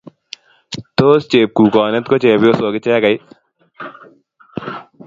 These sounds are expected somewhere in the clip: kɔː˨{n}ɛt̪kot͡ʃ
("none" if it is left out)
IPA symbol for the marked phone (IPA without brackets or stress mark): n